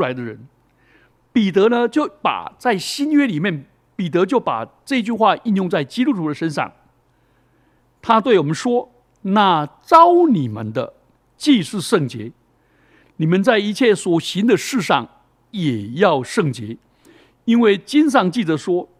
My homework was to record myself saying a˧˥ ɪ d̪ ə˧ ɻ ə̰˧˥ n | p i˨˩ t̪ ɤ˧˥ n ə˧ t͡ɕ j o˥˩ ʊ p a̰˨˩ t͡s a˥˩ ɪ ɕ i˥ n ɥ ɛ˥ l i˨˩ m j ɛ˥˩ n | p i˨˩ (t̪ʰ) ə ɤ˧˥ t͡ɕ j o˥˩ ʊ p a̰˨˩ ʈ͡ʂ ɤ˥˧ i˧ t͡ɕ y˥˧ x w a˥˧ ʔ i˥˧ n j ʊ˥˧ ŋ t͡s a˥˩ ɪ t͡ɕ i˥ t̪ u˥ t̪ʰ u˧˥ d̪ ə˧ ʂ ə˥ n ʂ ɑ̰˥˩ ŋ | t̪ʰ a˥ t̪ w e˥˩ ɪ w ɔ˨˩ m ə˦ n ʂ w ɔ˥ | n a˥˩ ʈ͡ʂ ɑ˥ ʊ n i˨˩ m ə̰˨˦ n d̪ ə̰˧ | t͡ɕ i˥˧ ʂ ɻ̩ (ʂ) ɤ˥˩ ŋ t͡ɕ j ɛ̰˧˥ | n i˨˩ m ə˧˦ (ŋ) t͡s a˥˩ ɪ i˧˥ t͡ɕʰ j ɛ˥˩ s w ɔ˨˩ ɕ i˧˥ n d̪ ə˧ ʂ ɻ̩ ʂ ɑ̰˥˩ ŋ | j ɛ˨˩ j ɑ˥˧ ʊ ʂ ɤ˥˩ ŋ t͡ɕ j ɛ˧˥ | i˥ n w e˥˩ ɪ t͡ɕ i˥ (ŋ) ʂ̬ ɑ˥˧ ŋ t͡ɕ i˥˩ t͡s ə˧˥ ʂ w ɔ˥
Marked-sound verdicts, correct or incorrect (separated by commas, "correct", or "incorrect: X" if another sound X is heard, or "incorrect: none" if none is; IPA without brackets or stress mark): incorrect: t̪, correct, incorrect: n, incorrect: n